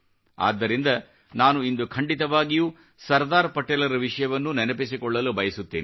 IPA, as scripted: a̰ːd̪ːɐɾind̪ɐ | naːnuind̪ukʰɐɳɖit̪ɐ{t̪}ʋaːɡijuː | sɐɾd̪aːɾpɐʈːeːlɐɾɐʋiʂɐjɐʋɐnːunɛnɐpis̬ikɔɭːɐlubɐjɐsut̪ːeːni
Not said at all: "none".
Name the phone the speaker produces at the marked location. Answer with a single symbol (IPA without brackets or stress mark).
none